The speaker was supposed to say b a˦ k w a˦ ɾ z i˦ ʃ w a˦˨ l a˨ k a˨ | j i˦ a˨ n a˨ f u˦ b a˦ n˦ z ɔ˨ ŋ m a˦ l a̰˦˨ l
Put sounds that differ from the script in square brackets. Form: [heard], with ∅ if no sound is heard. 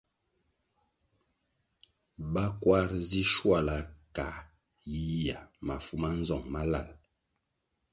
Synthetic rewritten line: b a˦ k w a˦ ɾ z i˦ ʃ w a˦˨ l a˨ k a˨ | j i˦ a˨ [m] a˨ f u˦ [m] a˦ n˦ z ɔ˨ ŋ m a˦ l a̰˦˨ l